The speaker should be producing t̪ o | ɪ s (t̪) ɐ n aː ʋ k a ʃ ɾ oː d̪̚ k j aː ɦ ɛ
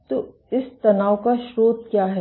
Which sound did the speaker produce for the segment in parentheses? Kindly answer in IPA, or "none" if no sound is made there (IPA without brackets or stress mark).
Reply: t̪